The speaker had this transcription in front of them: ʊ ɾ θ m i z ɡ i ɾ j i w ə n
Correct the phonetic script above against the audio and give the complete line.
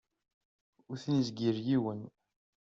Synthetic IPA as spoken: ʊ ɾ θ n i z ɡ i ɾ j i w ə n